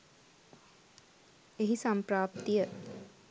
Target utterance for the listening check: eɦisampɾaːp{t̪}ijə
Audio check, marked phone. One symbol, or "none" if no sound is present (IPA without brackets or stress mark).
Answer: t̪